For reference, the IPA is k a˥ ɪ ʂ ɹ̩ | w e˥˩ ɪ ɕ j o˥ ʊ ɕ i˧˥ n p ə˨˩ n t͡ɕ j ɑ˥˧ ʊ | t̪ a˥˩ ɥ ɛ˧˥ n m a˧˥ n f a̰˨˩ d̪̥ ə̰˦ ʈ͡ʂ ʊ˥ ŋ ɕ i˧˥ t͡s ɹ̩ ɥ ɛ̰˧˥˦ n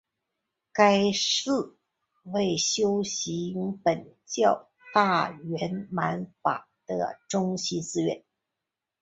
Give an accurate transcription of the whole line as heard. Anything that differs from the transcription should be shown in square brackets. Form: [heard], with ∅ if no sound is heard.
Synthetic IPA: k a˥ ɪ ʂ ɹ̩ | w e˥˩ ɪ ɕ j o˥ ʊ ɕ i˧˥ [ŋ] p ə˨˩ n t͡ɕ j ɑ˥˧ ʊ | t̪ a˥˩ ɥ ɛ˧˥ n m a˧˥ n f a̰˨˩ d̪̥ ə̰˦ ʈ͡ʂ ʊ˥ ŋ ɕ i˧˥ t͡s ɹ̩ ɥ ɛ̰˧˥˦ n